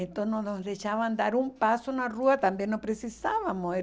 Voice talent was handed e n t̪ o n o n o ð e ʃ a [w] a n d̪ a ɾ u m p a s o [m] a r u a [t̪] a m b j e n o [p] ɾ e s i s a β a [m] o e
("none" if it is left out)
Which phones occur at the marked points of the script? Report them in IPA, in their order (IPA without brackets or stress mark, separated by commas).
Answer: β, n, t̪, p, m